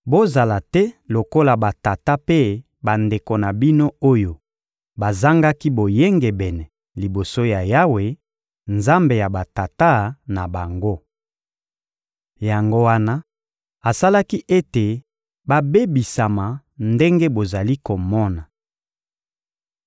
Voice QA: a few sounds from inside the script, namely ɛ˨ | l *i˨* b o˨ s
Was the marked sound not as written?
no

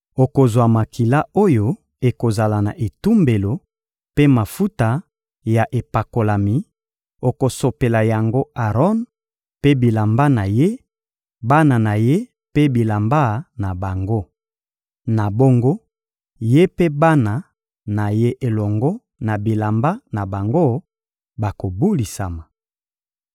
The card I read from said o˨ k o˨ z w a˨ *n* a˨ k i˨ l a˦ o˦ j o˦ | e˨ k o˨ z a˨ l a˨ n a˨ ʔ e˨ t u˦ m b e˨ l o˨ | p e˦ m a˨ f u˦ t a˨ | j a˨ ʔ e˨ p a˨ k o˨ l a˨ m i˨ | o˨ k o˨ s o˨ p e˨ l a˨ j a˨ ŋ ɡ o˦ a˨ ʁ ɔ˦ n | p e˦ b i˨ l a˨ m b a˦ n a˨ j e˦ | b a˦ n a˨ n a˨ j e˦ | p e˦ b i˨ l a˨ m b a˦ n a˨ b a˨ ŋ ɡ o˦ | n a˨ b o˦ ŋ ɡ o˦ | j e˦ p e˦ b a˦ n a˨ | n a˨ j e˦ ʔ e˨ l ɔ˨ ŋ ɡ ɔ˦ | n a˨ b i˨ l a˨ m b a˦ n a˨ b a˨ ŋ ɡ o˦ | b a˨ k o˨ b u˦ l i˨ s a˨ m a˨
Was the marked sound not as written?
yes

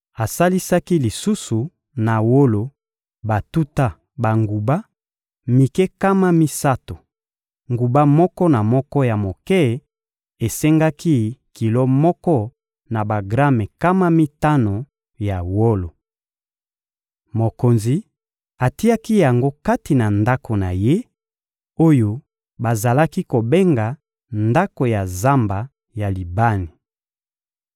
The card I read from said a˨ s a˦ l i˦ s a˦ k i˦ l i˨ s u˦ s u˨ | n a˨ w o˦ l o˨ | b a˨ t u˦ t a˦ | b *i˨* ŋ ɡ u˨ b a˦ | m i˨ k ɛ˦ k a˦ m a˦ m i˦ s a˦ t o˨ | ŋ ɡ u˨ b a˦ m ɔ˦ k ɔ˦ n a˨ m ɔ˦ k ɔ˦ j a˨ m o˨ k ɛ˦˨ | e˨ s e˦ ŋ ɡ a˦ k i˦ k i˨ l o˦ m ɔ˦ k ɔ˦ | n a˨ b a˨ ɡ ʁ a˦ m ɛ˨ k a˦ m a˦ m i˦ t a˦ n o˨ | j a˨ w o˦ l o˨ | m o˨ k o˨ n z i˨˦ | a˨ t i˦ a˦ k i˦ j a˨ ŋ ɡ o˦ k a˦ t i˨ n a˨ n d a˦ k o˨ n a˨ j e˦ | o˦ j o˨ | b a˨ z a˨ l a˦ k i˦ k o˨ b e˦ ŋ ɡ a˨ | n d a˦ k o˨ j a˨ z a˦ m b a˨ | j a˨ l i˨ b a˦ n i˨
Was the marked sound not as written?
yes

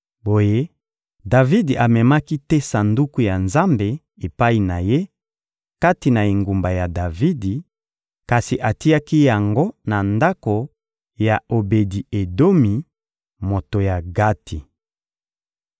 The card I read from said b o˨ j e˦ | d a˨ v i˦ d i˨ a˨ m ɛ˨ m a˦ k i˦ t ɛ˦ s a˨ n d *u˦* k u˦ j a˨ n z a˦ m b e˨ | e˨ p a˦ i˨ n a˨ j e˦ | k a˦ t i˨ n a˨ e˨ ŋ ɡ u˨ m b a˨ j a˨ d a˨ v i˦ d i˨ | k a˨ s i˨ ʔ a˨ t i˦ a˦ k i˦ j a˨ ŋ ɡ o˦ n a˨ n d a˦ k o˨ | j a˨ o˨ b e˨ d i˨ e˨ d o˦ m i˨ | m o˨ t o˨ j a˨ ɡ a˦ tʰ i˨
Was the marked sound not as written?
no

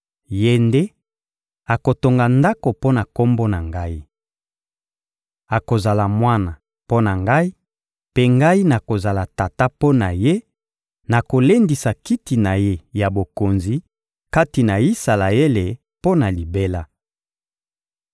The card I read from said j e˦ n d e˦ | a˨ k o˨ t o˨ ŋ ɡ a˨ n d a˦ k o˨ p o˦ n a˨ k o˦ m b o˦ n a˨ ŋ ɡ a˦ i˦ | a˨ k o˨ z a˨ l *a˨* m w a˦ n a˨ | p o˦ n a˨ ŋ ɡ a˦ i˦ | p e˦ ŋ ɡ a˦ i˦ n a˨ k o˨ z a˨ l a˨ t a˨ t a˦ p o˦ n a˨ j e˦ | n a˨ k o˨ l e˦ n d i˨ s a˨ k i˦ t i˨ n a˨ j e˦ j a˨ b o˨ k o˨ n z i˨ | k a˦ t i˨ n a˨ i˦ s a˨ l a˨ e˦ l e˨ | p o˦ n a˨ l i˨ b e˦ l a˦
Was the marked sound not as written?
no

